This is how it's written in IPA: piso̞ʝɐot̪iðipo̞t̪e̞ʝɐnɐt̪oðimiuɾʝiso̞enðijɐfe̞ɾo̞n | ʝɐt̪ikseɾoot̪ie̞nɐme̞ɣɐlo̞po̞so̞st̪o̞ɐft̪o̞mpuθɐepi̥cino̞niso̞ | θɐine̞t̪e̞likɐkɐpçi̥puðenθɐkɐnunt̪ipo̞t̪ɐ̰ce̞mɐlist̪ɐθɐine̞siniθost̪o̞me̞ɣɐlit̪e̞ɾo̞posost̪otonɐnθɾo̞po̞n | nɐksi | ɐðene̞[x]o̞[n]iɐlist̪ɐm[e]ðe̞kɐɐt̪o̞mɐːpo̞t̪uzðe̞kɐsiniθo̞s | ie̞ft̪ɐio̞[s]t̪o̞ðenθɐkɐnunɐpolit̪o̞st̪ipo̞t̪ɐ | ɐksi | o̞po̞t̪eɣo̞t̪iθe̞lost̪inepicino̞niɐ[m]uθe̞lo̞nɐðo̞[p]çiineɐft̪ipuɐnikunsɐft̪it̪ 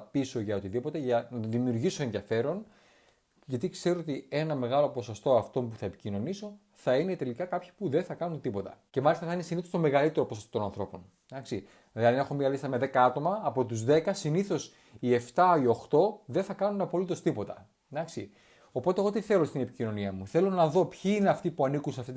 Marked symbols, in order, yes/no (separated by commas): yes, no, yes, no, yes, yes